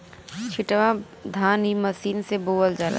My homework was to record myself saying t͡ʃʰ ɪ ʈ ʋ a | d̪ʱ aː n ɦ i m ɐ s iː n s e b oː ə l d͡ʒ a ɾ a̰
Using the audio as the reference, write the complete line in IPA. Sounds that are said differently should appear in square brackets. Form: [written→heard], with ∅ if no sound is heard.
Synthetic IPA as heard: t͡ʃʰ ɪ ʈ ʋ a | d̪ʱ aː n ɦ i m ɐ s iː n s e b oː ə l d͡ʒ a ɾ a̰